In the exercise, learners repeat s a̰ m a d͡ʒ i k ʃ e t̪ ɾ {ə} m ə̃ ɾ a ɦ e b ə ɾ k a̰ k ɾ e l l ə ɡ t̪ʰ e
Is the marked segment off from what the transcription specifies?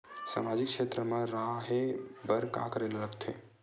no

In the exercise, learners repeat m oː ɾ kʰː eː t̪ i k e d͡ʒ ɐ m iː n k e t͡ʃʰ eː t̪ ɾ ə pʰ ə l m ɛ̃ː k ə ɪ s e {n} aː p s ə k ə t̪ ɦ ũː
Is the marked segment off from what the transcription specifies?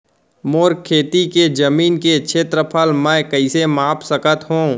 yes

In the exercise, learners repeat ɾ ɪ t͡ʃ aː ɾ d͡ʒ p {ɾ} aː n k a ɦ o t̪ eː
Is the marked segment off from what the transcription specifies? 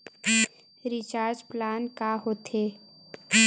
yes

